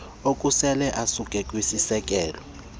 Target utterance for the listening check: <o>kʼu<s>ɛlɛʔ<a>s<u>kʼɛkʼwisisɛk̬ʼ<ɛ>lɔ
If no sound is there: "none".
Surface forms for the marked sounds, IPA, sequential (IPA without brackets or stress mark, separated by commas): o, s, a, u, ɛː